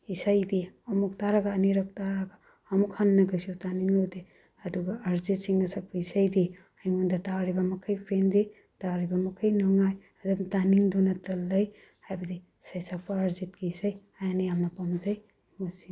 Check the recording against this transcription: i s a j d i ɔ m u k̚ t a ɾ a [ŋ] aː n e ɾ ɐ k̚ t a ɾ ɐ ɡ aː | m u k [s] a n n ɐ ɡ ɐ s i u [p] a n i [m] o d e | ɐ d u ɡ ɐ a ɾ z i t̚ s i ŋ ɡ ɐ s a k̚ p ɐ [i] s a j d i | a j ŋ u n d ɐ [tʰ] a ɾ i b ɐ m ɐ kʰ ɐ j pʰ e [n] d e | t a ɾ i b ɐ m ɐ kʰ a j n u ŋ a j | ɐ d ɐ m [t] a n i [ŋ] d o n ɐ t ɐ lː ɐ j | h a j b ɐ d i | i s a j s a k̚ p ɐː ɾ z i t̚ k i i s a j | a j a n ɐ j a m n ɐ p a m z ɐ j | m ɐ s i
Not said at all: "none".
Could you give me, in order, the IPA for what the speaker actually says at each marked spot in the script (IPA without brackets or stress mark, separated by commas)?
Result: ɡ, h, t, ŋ, i, t, n, t, ŋ